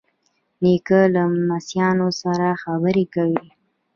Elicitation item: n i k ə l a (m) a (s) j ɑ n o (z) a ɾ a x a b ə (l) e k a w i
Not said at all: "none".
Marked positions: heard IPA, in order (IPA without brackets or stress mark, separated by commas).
m, s, s, ɾ